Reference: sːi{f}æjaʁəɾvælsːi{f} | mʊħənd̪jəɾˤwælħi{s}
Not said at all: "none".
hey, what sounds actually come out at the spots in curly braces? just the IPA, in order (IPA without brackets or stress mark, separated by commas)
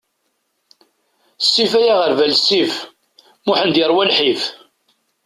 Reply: f, f, f